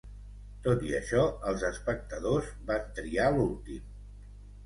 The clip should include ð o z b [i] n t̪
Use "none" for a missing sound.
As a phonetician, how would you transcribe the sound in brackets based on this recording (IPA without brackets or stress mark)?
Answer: a